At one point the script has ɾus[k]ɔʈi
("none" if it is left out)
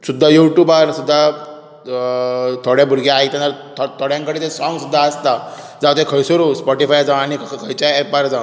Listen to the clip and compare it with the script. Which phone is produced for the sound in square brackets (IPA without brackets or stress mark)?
p